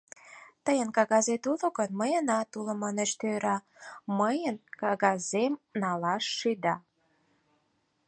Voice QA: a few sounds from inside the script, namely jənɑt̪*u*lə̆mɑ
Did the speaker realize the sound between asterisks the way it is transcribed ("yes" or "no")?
yes